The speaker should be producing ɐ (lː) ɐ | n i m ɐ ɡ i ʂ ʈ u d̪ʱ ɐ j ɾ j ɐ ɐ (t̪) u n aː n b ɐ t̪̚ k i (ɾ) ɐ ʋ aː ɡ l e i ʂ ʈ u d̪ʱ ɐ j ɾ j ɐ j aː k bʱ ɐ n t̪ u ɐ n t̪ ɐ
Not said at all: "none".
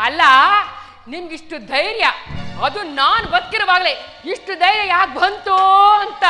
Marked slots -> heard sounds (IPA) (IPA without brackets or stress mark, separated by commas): lː, d̪, ɾ